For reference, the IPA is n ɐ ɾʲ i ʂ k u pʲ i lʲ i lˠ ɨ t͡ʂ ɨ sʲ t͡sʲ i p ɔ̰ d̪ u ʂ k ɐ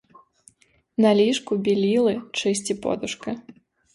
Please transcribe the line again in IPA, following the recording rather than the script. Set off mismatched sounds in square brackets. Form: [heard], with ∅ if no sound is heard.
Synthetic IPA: n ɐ [lʲ] i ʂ k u [bʲ] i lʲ i lˠ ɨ t͡ʂ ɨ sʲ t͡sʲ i p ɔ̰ d̪ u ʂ k ɐ

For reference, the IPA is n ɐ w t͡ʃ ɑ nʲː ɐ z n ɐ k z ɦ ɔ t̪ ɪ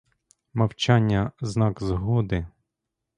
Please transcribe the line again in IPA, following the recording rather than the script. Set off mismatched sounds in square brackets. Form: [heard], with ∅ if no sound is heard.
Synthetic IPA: [m] ɐ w t͡ʃ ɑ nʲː ɐ z n [ɑ] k z ɦ ɔ [d̪] ɪ

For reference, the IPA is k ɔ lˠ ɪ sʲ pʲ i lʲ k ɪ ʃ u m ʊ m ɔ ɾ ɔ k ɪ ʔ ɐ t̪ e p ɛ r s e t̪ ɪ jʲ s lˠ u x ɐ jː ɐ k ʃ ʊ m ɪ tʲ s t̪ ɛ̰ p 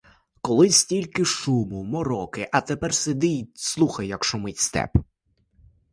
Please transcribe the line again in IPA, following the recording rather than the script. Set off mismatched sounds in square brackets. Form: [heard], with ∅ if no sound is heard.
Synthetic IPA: k ɔ lˠ ɪ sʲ [tʲ] i lʲ k ɪ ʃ u m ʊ m ɔ ɾ ɔ k ɪ ʔ ɐ t̪ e p ɛ r s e [d̪] ɪ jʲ s lˠ u x ɐ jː ɐ k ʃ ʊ m ɪ tʲ s t̪ ɛ̰ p

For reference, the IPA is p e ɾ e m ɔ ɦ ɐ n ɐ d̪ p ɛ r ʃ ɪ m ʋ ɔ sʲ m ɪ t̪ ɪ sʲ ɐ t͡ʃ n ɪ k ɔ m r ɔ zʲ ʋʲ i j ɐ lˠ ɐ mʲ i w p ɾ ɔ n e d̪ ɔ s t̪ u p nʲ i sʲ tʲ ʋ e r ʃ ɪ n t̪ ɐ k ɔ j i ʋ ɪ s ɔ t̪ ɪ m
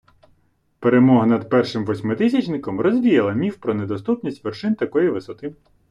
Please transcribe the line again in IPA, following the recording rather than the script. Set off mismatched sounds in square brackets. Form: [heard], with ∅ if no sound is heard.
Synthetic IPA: p e ɾ e m ɔ ɦ ɐ n ɐ d̪ p ɛ r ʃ ɪ m ʋ ɔ sʲ m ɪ t̪ ɪ sʲ ɐ t͡ʃ n ɪ k ɔ m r ɔ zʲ ʋʲ i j ɐ lˠ ɐ mʲ i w p ɾ ɔ n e d̪ ɔ s t̪ u p nʲ i sʲ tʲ ʋ e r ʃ ɪ n t̪ ɐ k ɔ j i ʋ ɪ s ɔ t̪ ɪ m

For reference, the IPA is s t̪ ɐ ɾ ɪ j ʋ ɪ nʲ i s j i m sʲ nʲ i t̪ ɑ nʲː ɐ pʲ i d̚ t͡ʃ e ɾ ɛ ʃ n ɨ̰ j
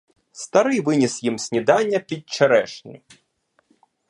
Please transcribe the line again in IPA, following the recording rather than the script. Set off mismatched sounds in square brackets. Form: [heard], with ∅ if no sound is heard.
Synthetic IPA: s t̪ ɐ ɾ ɪ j ʋ ɪ nʲ i s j i m sʲ nʲ i [d̪] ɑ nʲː ɐ pʲ i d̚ t͡ʃ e ɾ ɛ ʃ n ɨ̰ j

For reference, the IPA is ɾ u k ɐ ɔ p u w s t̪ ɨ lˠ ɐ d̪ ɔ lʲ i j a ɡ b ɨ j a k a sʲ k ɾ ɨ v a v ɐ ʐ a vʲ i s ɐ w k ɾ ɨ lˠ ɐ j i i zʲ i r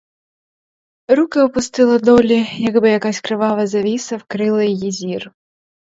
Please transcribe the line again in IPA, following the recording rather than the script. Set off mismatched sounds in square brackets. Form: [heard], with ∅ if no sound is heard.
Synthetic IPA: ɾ u k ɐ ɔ p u [∅] s t̪ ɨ lˠ ɐ d̪ ɔ lʲ i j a ɡ b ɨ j a k a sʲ k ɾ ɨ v a v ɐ [z] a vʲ i s ɐ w k ɾ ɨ lˠ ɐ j [j] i zʲ i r

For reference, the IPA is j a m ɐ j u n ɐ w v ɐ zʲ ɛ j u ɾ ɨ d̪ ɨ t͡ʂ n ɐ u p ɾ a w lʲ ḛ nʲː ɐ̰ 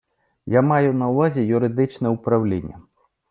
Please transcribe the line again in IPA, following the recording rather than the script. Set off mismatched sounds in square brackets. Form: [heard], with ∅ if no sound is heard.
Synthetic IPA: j a m [a] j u n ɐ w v [a] zʲ ɛ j u ɾ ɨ d̪ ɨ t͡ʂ n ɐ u p ɾ a w lʲ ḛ nʲː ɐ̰

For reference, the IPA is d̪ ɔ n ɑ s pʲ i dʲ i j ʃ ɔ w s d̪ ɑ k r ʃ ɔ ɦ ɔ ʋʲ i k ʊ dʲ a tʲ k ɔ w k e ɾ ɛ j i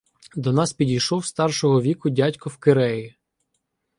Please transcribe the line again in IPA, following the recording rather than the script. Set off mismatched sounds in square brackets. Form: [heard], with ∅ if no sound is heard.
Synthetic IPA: d̪ ɔ n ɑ s pʲ i dʲ i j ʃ ɔ w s [t̪] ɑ [∅] r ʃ ɔ ɦ ɔ ʋʲ i k ʊ dʲ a tʲ k ɔ w k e ɾ ɛ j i

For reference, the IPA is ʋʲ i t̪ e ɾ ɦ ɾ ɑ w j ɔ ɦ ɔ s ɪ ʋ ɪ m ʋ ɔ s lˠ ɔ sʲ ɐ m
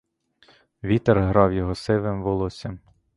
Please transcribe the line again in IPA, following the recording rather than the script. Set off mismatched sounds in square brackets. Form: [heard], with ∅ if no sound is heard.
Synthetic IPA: ʋʲ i t̪ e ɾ ɦ ɾ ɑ w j ɔ ɦ ɔ s ɪ ʋ ɪ m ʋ ɔ [∅] lˠ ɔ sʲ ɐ m

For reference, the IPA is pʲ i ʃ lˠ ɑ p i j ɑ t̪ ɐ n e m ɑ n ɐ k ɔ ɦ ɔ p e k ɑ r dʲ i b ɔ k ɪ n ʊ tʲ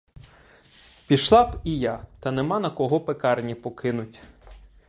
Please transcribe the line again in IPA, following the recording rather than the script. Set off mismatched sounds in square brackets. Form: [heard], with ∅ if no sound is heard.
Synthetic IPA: pʲ i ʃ lˠ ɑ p i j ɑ t̪ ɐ n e m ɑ n ɐ k ɔ ɦ ɔ p e k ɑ r [nʲ] i [p] ɔ k ɪ n ʊ tʲ

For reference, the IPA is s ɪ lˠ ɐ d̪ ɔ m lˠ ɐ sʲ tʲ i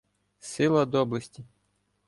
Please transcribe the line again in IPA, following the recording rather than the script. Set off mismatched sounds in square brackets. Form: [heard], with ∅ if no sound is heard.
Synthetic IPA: s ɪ lˠ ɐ d̪ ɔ [b] lˠ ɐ sʲ tʲ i

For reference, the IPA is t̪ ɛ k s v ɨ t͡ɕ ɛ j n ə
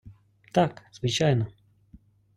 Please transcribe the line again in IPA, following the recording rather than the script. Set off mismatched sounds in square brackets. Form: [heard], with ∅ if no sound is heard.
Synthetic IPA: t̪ [a] k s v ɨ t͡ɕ [a] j n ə

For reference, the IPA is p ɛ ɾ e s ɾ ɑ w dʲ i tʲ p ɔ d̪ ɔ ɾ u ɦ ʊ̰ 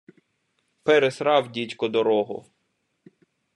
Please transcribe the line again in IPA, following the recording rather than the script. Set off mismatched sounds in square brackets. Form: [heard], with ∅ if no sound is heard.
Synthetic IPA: p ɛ ɾ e s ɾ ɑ w dʲ i tʲ [k] ɔ d̪ ɔ ɾ [ɔ] ɦ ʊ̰

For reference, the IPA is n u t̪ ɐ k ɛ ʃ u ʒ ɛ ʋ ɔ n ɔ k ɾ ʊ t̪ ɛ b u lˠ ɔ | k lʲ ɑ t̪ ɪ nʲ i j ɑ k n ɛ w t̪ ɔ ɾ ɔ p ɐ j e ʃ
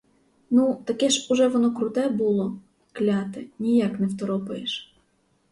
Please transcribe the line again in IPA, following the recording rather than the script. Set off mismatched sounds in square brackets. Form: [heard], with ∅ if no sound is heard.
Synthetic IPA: n u t̪ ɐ k ɛ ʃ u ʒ ɛ ʋ ɔ n ɔ k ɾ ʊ t̪ ɛ b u lˠ ɔ | k lʲ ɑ t̪ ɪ nʲ i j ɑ k n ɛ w t̪ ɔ ɾ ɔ p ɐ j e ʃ

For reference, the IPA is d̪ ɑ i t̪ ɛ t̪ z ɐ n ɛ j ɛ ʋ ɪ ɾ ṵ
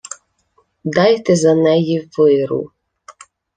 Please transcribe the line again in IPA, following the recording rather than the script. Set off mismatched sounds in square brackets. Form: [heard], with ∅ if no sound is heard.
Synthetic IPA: d̪ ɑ [j] t̪ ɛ [∅] z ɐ n ɛ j [i] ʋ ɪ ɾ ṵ

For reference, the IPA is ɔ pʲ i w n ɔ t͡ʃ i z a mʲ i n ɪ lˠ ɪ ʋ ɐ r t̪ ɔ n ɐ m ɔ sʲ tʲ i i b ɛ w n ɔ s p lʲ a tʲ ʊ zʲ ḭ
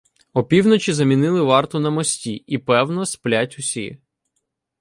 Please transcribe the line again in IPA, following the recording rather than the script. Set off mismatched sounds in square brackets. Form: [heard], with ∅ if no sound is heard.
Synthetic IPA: ɔ pʲ i w n ɔ t͡ʃ i z [ɐ] mʲ i n ɪ lˠ ɪ ʋ [ɑ] r t̪ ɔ n ɐ m ɔ sʲ tʲ i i [p] ɛ w n ɔ s p lʲ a tʲ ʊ [sʲ] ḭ

